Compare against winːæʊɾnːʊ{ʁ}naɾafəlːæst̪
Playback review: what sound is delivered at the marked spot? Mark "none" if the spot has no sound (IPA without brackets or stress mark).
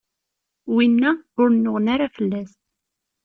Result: ʁ